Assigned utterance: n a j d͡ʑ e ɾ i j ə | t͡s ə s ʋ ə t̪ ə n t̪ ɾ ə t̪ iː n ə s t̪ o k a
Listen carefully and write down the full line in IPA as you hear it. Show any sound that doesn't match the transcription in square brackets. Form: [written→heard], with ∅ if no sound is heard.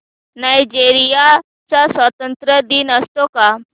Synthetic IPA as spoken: n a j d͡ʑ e ɾ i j [ə→a] | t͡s [ə→a] s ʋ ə t̪ ə n t̪ ɾ ə [t̪→d̪] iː n ə s t̪ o k a